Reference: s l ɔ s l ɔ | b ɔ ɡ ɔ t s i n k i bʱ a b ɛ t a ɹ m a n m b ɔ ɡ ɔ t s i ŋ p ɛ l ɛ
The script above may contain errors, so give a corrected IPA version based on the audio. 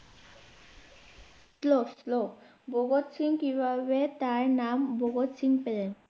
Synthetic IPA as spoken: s l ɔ s l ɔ | b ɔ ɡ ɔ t s i ŋ k i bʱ a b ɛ t a ɹ n a m b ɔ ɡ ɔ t s i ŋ p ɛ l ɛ